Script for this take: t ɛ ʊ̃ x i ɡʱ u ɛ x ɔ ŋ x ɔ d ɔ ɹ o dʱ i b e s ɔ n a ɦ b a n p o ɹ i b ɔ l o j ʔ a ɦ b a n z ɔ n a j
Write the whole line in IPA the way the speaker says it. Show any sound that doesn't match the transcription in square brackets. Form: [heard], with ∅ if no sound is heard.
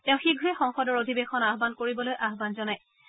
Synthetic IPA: t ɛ ʊ̃ x i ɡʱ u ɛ x ɔ ŋ x ɔ d ɔ ɹ o dʱ i b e [x] ɔ n a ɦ b a n [k] o ɹ i b ɔ l o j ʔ a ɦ b a n z ɔ n a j